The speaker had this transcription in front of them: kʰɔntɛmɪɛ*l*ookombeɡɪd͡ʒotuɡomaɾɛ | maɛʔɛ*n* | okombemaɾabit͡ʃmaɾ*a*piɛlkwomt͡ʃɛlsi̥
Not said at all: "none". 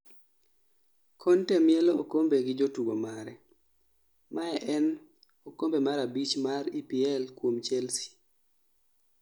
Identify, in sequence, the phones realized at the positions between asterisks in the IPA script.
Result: l, n, i

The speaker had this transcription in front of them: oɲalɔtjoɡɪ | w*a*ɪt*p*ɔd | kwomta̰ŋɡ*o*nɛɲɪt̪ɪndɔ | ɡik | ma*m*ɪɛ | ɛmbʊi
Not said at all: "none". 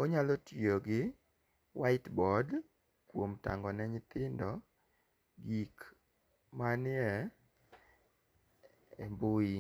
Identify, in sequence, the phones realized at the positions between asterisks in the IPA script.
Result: a, b, ɔ, n

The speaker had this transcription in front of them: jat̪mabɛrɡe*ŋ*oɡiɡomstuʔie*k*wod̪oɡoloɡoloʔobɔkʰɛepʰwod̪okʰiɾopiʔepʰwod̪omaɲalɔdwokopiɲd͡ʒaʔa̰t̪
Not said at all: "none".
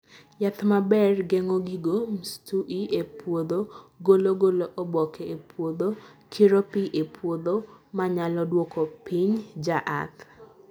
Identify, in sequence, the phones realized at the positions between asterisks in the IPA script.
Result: ŋ, p

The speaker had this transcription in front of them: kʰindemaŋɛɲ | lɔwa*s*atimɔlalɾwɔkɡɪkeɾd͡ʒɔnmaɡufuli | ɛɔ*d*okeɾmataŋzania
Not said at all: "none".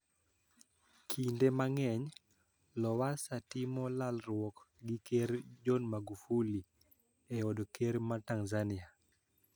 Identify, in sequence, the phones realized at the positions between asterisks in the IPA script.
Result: s, d

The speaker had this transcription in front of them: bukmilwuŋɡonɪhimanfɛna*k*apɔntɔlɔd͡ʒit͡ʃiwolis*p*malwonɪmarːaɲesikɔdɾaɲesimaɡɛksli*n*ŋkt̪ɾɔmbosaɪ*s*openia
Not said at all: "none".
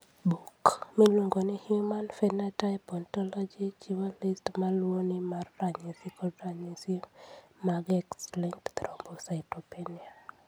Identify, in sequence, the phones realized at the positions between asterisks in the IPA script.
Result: t, t, none, t

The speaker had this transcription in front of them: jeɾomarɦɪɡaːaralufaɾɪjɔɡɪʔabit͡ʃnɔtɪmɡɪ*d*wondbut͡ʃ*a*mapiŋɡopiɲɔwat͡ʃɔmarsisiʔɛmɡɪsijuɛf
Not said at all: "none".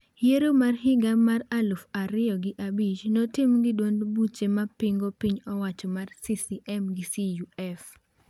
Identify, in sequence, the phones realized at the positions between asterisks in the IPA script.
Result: d, e

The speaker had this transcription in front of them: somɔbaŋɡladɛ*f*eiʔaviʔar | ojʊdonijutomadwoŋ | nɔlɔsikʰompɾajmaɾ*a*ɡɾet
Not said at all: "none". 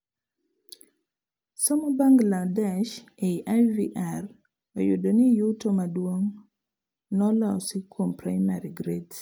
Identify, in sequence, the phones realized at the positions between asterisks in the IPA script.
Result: ʃ, i

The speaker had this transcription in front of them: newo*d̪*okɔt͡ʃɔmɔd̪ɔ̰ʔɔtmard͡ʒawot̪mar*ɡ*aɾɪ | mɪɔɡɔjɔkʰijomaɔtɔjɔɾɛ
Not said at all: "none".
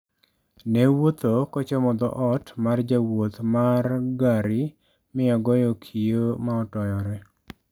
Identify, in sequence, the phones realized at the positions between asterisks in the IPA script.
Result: t̪, ɡ

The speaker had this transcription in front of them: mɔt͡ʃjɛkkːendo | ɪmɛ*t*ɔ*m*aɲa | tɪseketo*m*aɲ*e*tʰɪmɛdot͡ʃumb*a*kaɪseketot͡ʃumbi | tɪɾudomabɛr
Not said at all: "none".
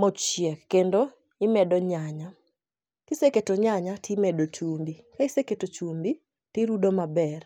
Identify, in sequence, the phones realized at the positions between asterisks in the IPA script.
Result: d, ɲ, ɲ, a, i

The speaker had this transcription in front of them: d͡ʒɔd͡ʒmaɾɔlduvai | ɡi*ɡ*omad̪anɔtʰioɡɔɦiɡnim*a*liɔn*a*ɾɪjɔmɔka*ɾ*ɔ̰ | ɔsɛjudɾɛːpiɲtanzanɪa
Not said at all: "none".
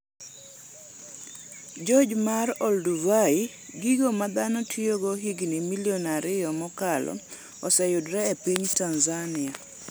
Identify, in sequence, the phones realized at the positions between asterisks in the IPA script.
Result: ɡ, i, a, l

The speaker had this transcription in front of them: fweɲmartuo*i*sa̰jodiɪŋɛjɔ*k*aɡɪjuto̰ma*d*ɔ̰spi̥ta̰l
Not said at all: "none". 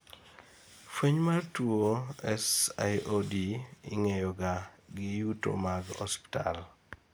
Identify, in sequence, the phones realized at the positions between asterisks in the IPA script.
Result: ɛ, ɡ, ɡ

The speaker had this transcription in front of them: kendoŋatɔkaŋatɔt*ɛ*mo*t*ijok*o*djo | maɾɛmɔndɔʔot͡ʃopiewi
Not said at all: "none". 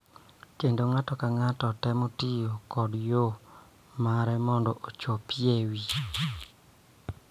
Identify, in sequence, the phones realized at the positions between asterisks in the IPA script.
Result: ɛ, t, ɔ

